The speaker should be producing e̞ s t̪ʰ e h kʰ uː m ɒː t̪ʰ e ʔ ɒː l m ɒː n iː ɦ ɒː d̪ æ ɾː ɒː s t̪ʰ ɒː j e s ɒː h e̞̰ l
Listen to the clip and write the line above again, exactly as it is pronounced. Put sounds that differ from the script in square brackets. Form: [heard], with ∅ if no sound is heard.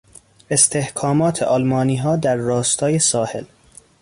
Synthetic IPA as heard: e̞ s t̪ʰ e h kʰ [ɒː] m ɒː t̪ʰ e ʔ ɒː l m ɒː n iː ɦ ɒː d̪ æ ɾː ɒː s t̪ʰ ɒː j e s ɒː h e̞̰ l